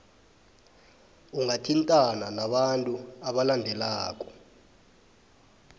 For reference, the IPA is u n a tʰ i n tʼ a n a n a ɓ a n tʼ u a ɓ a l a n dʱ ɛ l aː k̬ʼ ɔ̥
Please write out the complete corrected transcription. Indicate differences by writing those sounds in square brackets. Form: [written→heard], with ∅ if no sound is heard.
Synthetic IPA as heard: u [n→ŋ] a tʰ i n tʼ a n a n a ɓ a n tʼ u a ɓ a l a n dʱ ɛ l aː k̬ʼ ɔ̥

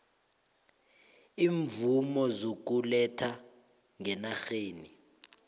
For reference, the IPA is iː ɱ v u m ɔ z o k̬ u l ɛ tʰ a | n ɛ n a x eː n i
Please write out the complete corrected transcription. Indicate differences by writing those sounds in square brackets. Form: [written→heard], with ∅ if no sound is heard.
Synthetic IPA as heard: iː ɱ v u m ɔ z o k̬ u l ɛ tʰ a | [n→ŋ] ɛ n a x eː n i

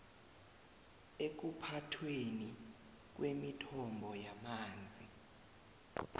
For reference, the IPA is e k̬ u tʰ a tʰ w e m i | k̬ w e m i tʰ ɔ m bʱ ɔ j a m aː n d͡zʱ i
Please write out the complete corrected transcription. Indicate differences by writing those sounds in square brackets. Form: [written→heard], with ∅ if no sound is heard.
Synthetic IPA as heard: e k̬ u [tʰ→pʰ] a tʰ w e [m→n] i | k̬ w e m i tʰ ɔ m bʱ ɔ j a m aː n d͡zʱ i

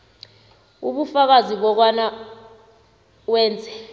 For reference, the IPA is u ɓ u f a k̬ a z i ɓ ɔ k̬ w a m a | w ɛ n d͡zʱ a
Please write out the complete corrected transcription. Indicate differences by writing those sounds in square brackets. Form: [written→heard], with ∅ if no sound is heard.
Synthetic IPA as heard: u ɓ u f a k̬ a z i ɓ ɔ k̬ w a [m→n] a | w [ɛ→ɛː] n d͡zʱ [a→ɛ]

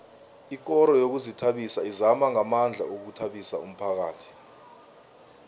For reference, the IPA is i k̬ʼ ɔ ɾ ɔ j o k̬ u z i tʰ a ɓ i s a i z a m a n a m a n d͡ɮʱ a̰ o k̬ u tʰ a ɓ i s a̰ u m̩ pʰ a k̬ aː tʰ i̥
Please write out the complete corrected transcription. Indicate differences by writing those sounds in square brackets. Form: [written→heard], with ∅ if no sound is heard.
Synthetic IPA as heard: i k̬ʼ ɔ ɾ ɔ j o k̬ u z i tʰ a ɓ i s a i z a m a [n→ŋ] a m a n d͡ɮʱ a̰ o k̬ u tʰ a ɓ i s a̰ u m̩ pʰ a k̬ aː tʰ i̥

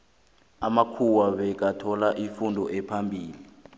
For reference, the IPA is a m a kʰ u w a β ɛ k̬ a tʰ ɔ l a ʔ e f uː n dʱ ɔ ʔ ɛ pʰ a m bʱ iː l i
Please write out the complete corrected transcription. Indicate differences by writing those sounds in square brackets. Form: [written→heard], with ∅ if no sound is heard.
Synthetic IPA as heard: a m a kʰ u w a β ɛ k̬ a tʰ ɔ l a ʔ [e→i] f [uː→u] n dʱ ɔ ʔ ɛ pʰ a m bʱ iː l i

